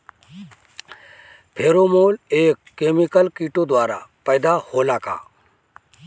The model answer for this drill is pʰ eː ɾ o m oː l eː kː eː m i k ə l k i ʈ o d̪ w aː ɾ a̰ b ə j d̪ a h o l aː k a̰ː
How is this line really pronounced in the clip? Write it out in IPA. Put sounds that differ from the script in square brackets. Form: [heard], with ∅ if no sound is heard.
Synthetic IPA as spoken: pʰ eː ɾ o m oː l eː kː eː m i k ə l k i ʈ o d̪ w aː ɾ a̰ [p] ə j d̪ a h o l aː k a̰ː